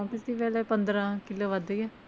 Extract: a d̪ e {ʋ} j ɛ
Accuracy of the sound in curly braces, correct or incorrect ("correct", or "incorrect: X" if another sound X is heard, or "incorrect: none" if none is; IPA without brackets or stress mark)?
incorrect: none